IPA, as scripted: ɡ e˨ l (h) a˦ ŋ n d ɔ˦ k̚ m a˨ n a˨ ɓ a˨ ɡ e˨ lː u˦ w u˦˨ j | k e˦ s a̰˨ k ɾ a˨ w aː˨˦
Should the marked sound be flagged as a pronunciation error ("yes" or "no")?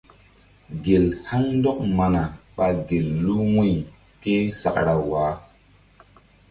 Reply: no